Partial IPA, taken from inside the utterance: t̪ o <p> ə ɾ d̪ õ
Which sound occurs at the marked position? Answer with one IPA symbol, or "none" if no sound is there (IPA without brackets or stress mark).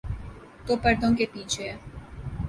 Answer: p